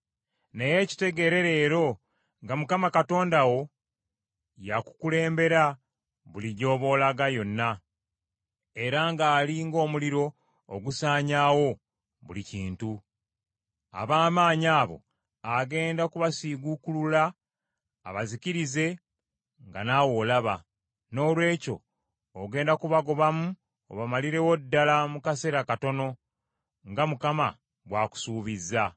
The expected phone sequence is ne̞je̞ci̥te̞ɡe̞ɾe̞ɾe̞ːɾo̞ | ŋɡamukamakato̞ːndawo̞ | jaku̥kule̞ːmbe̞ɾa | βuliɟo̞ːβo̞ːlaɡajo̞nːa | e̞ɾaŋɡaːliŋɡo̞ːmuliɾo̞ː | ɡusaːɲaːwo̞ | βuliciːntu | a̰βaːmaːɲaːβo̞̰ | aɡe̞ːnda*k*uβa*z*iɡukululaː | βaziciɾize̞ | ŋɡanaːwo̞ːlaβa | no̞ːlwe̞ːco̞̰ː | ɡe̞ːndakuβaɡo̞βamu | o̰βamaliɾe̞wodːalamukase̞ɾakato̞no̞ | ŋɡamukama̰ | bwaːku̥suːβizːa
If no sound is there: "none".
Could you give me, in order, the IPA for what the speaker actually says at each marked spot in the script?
k, s

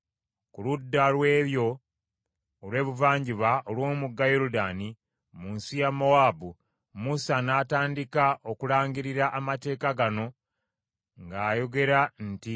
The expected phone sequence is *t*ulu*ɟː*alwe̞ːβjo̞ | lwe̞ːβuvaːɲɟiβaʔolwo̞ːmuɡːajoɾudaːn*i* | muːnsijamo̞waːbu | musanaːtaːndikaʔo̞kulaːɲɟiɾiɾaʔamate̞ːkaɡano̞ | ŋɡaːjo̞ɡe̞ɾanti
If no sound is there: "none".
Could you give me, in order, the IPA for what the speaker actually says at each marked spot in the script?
k, dː, i

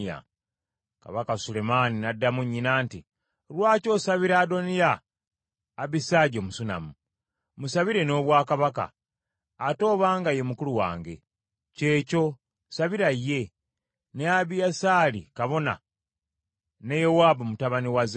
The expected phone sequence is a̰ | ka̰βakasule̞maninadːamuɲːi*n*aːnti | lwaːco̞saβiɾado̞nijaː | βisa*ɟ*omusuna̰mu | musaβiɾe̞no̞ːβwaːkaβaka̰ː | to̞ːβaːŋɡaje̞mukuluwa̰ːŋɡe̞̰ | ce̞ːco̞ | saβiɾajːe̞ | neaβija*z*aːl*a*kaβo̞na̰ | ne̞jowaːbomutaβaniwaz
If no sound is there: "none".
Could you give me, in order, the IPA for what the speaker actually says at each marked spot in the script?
n, ɟ, s, i

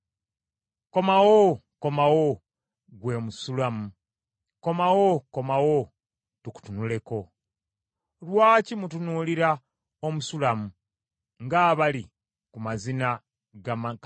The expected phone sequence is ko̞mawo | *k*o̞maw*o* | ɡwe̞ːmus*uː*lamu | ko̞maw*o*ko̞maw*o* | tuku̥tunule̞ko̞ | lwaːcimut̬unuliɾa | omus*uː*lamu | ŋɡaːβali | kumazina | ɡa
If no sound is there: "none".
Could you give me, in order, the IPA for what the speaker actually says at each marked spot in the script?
k, o, u, o, o, u

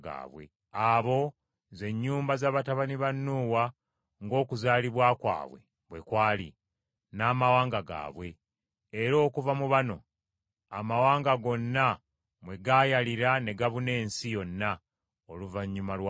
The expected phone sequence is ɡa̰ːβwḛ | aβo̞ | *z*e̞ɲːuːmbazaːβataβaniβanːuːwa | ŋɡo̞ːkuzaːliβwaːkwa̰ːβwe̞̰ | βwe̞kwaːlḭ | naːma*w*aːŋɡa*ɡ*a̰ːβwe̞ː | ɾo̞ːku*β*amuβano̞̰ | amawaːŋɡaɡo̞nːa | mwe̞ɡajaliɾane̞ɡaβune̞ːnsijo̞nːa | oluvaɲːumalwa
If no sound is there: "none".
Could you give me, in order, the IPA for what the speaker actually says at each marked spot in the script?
z, w, ɡ, v

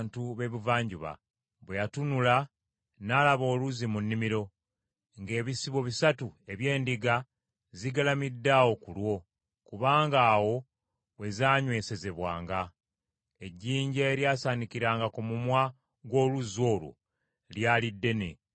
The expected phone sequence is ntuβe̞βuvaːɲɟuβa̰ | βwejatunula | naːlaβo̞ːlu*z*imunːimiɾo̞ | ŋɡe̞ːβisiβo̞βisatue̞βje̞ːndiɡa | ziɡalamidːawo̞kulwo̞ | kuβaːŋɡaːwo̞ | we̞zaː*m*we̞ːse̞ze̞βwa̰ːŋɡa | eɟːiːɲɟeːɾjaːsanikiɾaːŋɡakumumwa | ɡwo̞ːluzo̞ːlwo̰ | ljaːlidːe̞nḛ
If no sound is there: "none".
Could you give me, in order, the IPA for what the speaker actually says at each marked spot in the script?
z, ɲ

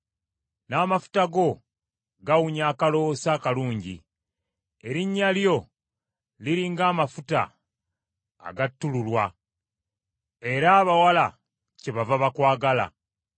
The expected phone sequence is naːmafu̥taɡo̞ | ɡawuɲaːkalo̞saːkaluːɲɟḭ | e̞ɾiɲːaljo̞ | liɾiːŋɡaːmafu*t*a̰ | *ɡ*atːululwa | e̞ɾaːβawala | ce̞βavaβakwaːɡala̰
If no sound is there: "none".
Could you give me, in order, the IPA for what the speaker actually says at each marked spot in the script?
t, ɡ

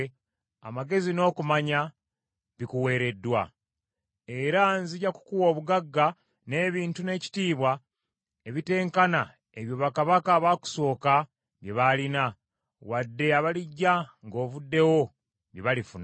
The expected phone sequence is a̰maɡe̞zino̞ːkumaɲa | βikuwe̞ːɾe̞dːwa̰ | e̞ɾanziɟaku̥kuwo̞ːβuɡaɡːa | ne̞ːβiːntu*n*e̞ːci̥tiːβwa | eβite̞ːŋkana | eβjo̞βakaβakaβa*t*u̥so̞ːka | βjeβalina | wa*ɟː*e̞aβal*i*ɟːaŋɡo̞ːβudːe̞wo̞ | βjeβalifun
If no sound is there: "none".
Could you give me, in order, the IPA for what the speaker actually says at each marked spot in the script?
n, k, dː, i

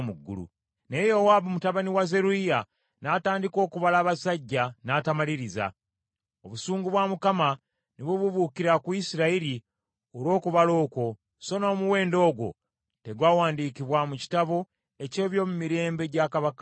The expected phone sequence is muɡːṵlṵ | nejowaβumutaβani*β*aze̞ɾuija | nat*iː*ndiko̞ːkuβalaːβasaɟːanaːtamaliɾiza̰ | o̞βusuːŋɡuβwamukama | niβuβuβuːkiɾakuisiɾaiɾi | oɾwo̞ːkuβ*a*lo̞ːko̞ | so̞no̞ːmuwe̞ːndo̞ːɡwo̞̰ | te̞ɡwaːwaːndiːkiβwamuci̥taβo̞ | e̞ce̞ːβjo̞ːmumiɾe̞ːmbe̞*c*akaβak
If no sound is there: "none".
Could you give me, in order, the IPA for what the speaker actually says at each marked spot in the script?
w, aː, a, ɟ

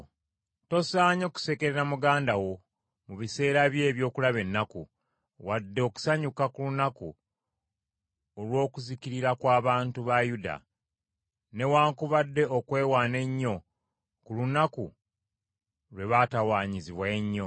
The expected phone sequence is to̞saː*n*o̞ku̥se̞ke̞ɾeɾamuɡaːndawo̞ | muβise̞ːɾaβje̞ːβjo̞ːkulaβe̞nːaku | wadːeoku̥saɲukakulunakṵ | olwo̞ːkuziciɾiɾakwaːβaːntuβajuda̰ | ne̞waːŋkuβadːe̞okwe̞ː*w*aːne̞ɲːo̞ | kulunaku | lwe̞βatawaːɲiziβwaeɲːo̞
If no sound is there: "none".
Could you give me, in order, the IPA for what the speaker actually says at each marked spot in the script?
ɲ, w

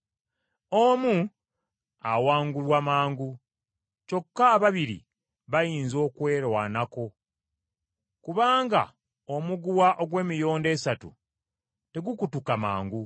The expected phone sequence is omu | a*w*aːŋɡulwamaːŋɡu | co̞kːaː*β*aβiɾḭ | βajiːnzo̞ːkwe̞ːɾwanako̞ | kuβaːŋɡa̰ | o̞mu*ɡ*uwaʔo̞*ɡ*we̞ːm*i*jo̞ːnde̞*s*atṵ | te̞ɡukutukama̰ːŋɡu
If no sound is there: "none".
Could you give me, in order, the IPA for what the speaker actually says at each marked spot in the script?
w, β, ɡ, ɡ, i, s

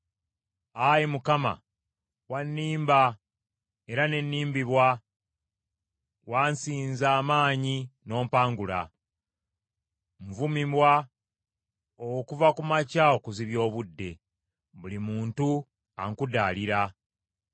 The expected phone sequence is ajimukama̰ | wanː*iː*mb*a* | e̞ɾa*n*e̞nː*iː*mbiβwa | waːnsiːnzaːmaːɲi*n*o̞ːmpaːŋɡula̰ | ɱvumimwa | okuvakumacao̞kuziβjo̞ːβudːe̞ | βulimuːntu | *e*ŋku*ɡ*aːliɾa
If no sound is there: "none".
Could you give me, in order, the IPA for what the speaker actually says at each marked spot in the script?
iː, a, n, iː, n, a, d

